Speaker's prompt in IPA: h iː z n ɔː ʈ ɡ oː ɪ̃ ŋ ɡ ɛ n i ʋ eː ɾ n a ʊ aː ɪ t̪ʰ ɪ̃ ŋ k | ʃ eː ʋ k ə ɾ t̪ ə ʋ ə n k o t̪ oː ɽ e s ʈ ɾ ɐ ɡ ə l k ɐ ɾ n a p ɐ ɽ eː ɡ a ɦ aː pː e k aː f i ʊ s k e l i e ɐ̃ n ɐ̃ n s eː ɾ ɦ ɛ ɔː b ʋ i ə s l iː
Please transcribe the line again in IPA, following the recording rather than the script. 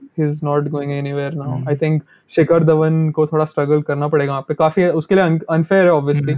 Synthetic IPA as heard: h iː z n ɔː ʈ ɡ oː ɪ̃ ŋ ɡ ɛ n i ʋ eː ɾ n a ʊ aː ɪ t̪ʰ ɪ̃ ŋ k | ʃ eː k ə ɾ d̪ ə ʋ ə n k o t̪ʰ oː ɽ a s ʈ ɾ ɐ ɡ ə l k ɐ ɾ n a p ɐ ɽ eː ɡ a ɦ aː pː e k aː f i ʊ s k e l i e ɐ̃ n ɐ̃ n f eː ɾ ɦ ɛ ɔː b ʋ i ə s l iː